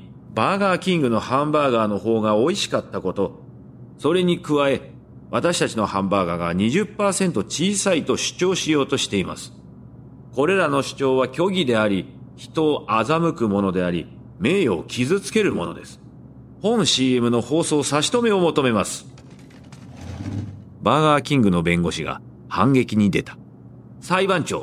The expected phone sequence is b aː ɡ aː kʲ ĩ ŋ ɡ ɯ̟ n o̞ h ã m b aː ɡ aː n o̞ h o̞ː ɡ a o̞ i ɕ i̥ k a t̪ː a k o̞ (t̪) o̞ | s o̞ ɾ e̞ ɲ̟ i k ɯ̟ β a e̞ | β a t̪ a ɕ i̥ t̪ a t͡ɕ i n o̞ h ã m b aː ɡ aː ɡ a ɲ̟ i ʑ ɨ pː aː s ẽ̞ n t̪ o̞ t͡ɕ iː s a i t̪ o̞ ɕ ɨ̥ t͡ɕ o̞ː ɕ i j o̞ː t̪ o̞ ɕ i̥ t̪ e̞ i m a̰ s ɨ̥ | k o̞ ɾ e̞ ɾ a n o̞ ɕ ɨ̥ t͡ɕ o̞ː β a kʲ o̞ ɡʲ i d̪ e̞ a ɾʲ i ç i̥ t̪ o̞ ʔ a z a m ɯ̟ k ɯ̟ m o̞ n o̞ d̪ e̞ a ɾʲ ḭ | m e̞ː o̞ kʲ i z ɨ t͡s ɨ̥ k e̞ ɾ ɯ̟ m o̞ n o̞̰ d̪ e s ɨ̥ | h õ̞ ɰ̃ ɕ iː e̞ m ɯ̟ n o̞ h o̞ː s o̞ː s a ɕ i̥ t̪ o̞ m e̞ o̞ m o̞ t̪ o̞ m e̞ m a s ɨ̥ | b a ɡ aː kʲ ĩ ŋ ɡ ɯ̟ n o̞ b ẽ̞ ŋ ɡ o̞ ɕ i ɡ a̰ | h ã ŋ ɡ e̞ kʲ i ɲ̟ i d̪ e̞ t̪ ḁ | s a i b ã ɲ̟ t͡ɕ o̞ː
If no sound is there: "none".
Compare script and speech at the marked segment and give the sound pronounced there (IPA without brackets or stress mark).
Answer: t̪